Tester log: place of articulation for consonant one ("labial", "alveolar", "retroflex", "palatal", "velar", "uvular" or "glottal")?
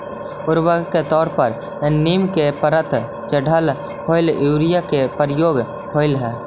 alveolar